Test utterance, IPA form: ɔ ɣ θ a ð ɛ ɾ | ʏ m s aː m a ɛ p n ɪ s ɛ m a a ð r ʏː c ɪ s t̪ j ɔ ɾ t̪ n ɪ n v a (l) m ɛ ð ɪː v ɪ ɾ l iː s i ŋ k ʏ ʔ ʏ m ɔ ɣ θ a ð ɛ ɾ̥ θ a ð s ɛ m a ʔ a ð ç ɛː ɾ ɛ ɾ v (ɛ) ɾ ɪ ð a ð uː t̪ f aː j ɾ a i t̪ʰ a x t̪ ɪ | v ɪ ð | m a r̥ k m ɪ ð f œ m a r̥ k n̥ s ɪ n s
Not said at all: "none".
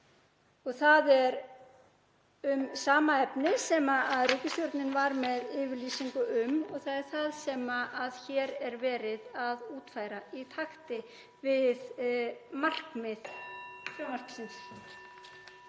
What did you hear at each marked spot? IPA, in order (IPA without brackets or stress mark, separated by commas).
ɾ, ɛː